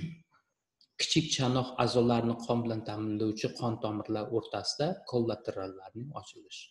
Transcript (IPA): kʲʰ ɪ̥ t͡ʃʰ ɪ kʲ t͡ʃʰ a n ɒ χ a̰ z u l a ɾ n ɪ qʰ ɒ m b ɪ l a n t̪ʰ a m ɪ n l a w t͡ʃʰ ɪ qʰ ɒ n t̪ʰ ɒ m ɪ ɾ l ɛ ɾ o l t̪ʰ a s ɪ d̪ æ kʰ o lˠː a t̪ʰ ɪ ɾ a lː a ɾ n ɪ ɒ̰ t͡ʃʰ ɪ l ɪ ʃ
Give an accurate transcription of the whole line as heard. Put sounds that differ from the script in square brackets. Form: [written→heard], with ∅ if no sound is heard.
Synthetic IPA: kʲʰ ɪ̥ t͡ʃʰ ɪ kʲ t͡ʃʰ a n ɒ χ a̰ z [u→ɒ] l a ɾ n ɪ qʰ ɒ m b ɪ l a n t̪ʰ a m ɪ n l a w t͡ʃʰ ɪ qʰ ɒ n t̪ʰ ɒ m ɪ ɾ l [ɛ→a] ɾ o [l→ɾ] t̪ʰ a s ɪ d̪ [æ→a] kʰ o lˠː a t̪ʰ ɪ ɾ a lː a ɾ n ɪ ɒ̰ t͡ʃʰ ɪ l ɪ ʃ